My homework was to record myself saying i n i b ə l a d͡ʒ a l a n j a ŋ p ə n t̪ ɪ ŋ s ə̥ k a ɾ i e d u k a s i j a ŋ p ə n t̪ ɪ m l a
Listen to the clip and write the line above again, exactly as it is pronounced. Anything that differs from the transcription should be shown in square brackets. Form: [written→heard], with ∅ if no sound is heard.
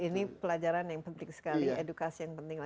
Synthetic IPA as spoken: i n i [b→p] ə l a d͡ʒ a [l→ɾ] a n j a ŋ p ə n t̪ ɪ ŋ s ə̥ k a [ɾ→l] i e d u k a s i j a ŋ p ə n t̪ ɪ [m→ŋ] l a

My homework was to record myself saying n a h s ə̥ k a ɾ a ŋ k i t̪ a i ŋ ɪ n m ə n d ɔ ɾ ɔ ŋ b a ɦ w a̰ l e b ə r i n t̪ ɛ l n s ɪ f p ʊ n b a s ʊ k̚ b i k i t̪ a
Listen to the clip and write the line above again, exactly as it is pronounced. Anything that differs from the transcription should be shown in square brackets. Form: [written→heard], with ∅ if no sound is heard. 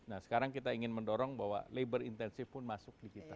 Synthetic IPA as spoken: n a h s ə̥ k a ɾ a ŋ k i t̪ a i ŋ ɪ n m ə n d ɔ ɾ ɔ ŋ b a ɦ w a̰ l e b ə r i n t̪ ɛ [l→∅] n s ɪ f p ʊ n [b→m] a s ʊ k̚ [b→d] i k i t̪ a

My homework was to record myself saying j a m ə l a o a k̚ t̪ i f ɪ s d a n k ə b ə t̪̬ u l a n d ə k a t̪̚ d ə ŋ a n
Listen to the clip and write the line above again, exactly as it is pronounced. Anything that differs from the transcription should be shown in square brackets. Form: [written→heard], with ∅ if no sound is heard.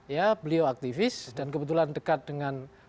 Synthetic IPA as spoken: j a [m→b] ə l [a→i] o a k̚ t̪ i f ɪ s d a n k ə b ə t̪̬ u l a n d ə k a t̪̚ d ə ŋ a n

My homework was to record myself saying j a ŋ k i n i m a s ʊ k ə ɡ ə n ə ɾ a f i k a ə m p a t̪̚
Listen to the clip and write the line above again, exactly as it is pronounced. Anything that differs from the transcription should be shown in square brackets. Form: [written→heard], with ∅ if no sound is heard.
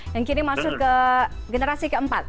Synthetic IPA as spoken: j a ŋ k i n i m a s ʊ k ə ɡ ə n ə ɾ a [f→s] i k [a→ə] ə m p a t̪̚

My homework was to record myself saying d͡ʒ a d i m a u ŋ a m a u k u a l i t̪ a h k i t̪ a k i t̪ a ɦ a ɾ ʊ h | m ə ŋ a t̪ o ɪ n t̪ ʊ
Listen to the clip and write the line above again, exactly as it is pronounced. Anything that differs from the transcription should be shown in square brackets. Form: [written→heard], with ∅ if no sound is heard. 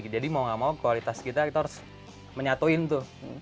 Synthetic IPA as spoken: d͡ʒ a d i m a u ŋ a m a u k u a l i t̪ a [h→s] k i t̪ a k i t̪ a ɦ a ɾ ʊ [h→s] | m ə [ŋ→ɲ] a t̪ o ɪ n t̪ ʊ

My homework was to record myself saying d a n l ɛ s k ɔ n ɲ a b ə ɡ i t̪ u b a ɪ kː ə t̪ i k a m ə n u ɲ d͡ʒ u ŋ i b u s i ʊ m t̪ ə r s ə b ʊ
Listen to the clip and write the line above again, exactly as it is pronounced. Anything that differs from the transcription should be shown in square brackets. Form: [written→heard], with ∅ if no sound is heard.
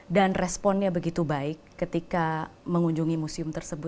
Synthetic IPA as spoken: d a n [l→r] ɛ s [k→p] ɔ n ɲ a b ə ɡ i t̪ u b a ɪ kː ə t̪ i k a m ə [n→ŋ] u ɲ d͡ʒ u ŋ i [b→m] u s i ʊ m t̪ ə r s ə b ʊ

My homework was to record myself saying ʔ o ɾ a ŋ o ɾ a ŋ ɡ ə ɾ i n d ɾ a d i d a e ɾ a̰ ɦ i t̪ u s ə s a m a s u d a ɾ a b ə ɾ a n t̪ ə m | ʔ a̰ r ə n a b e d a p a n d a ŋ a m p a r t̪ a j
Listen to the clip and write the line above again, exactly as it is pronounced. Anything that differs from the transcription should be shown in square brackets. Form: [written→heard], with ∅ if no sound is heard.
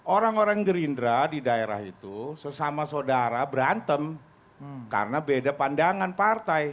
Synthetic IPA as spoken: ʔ o ɾ a ŋ o ɾ a ŋ ɡ ə ɾ i n d ɾ a d i d a e ɾ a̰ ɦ i t̪ u s ə s a m a s [u→o] d a ɾ a b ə ɾ a n t̪ ə m | [ʔ→k] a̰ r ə n a b e d a p a n d a ŋ a [m→n] p a r t̪ a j

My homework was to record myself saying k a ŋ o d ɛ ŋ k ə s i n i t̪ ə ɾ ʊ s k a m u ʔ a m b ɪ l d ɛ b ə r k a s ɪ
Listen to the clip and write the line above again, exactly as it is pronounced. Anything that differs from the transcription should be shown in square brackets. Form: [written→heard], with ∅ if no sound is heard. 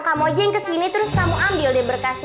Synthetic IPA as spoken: k a [ŋ→m] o [d→d͡ʒ] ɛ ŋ k ə s i n i t̪ ə ɾ ʊ s k a m u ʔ a m b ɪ l d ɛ b ə r k a s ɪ

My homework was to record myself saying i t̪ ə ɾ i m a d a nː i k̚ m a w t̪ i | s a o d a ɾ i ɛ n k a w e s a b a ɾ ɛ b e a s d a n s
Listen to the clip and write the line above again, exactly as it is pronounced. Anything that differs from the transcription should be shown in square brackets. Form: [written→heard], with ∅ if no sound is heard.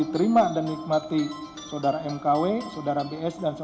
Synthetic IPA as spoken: i t̪ ə ɾ i m a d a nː i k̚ m a [w→∅] t̪ i | s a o d a ɾ [i→a] ɛ [n→m] k a w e s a [b→d] a ɾ [ɛ→a] b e [a→ɛ] s d a n s

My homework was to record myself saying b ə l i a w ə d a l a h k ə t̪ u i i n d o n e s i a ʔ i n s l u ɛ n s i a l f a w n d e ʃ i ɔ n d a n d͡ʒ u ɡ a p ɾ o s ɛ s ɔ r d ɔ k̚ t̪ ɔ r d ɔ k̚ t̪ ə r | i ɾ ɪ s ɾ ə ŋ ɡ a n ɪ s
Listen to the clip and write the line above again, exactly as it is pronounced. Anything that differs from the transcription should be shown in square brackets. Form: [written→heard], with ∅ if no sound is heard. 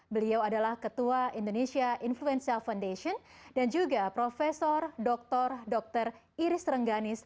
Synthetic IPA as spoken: b ə l i a w [ə→a] d a l a h k ə t̪ u [i→a] i n d o n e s i a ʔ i n [s→f] l u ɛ n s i a l f a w n d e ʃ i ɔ n d a n d͡ʒ u ɡ a p ɾ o [s→f] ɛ s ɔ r d ɔ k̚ t̪ ɔ r d ɔ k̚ t̪ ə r | i ɾ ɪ s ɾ ə ŋ ɡ a n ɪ s

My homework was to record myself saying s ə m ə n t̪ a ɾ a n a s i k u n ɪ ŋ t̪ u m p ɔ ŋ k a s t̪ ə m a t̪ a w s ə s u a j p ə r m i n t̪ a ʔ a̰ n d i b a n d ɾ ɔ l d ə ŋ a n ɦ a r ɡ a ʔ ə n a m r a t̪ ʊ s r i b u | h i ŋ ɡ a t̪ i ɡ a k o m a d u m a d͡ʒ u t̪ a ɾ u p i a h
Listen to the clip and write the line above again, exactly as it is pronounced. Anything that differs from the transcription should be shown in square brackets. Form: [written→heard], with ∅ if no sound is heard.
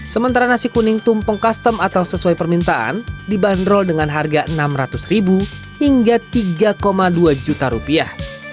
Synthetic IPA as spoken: s ə m ə n t̪ a ɾ a n a s i k u n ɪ ŋ t̪ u m p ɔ ŋ k a s t̪ ə m a t̪ a w s ə s u a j p ə r m i n t̪ a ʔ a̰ n d i b a n d ɾ ɔ l d ə ŋ a n ɦ a r ɡ a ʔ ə n a m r a t̪ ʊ s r i b u | h i ŋ ɡ a t̪ i ɡ a k o m a d u [m→∅] a d͡ʒ u t̪ a ɾ u p i a h

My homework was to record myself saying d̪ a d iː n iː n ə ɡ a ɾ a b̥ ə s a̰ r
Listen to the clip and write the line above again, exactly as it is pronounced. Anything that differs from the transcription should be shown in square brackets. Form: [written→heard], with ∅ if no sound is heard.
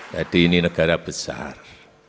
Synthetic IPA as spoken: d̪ a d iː n [iː→i] n ə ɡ a ɾ a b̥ ə s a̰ r

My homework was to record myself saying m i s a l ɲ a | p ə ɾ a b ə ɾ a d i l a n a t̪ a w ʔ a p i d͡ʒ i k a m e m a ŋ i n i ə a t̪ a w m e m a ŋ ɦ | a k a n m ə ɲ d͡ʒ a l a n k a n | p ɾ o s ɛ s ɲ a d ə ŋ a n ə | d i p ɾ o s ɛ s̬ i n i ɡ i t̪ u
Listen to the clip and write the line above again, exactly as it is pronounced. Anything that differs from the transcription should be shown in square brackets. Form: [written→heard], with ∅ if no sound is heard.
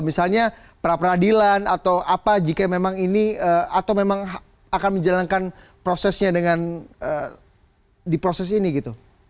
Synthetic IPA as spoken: m i s a l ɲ a | p ə ɾ a [b→p] ə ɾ a d i l a n a t̪ a w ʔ a p [i→a] d͡ʒ i k a m e m a ŋ i n i ə a t̪ a w m e m a ŋ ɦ | a k a n m ə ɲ d͡ʒ a l a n k a n | p ɾ o s ɛ s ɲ a d ə ŋ a n ə | d i p ɾ o s ɛ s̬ i n i ɡ i t̪ u

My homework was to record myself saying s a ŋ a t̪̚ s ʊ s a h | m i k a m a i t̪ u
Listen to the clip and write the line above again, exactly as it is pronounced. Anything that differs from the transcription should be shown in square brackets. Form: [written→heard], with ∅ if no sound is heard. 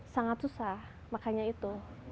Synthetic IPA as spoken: s a ŋ a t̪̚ s [ʊ→u] s a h | m [i→a] k a [m→ɲ] a i t̪ u

